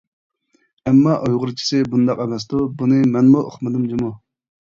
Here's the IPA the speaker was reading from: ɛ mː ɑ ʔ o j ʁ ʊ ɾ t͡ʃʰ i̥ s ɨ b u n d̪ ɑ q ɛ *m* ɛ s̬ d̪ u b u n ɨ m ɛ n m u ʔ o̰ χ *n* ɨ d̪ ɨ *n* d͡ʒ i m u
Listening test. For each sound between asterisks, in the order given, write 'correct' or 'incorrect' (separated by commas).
correct, incorrect, incorrect